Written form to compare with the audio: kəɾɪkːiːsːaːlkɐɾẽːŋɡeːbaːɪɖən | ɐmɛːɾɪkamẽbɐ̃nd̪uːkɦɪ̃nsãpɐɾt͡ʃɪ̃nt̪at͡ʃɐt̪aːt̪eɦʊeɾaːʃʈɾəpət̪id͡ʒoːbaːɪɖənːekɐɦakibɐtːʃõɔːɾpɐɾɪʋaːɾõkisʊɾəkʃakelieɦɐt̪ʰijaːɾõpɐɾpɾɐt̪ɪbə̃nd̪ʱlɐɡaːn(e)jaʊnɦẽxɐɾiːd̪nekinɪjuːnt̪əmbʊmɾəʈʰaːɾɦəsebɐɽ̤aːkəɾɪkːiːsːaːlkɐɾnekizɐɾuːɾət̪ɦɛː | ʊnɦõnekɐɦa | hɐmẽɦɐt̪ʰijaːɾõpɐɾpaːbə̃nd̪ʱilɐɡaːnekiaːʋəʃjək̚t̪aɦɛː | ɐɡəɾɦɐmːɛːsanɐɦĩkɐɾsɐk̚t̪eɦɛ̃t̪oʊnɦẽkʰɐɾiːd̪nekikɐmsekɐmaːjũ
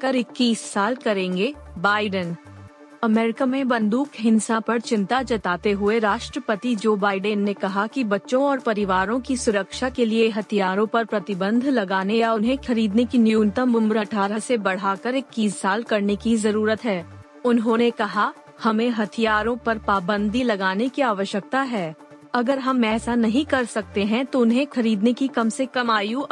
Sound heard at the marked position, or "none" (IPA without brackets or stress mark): e